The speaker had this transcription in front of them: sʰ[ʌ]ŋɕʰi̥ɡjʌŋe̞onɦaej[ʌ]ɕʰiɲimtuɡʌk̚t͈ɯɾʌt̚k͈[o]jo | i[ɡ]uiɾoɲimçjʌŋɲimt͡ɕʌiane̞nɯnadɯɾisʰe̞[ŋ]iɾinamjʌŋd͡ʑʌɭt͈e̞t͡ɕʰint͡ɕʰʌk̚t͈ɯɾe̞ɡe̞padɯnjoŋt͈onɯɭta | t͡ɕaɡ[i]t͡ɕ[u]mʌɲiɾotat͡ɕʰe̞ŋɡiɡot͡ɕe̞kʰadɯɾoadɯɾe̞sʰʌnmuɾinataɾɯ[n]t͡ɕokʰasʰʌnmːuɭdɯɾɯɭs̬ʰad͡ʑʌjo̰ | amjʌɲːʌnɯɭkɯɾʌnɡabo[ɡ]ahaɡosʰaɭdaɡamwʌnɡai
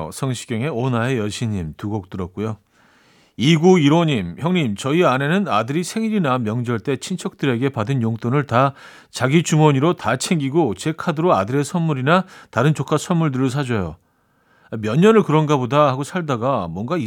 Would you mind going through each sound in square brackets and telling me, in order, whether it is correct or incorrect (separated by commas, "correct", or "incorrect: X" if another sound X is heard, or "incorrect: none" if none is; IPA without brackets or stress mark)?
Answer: correct, correct, incorrect: u, correct, correct, correct, correct, correct, incorrect: d